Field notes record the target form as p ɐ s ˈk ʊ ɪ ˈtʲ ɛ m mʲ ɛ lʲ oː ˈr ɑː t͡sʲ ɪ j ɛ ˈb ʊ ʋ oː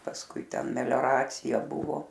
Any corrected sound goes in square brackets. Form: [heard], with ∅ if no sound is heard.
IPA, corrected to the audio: p ɐ s ˈk ʊ ɪ ˈtʲ ɛ [n] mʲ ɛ lʲ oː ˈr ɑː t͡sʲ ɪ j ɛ ˈb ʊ ʋ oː